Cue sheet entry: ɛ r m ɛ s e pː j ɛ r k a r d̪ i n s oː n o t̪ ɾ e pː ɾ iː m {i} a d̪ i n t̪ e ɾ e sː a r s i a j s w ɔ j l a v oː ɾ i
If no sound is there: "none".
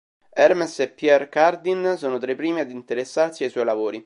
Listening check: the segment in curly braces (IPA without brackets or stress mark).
i